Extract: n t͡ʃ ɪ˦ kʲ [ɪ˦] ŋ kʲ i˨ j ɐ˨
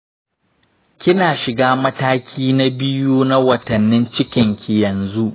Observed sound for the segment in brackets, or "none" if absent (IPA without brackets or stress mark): ɪ˨